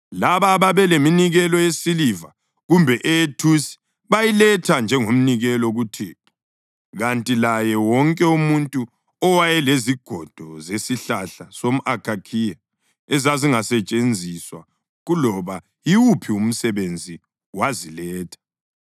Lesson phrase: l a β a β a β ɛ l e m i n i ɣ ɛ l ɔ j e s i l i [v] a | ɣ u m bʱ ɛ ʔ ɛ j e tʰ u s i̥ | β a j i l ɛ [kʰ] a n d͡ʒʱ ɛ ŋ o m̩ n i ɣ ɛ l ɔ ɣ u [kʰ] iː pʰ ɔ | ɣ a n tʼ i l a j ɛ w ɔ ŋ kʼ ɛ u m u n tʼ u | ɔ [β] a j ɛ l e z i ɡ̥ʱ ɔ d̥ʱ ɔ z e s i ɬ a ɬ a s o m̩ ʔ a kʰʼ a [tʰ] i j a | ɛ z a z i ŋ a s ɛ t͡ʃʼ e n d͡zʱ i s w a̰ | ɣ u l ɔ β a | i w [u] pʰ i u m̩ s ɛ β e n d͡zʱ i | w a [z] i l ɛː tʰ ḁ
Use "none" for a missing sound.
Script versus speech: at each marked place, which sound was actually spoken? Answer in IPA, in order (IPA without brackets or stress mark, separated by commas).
v, tʰ, tʰ, w, kʰ, u, z